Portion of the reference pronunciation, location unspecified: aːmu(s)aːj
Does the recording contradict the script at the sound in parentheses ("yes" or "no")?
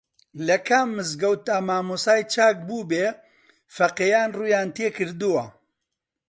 no